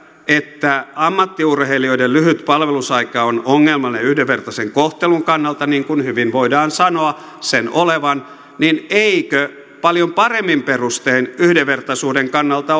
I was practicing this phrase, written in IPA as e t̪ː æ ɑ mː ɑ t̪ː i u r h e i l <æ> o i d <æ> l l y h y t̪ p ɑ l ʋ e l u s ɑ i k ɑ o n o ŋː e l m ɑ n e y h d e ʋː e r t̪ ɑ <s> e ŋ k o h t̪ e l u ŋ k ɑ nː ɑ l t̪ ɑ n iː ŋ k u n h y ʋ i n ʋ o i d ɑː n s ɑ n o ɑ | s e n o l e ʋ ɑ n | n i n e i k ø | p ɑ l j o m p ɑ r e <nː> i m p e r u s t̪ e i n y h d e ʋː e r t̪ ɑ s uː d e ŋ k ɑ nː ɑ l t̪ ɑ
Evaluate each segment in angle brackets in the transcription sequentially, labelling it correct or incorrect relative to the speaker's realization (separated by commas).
incorrect, incorrect, correct, incorrect